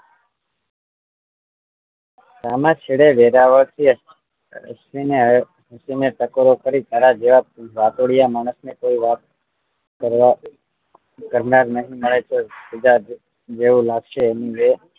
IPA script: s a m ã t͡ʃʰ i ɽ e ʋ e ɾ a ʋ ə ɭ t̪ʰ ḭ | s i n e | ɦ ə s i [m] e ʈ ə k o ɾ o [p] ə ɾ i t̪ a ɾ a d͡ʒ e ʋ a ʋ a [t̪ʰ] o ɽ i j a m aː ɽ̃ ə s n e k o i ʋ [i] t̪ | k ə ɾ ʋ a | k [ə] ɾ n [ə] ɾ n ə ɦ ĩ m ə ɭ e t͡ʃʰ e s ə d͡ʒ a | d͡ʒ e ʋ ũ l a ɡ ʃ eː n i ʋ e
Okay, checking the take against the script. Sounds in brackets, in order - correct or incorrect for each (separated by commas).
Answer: incorrect, incorrect, incorrect, incorrect, correct, incorrect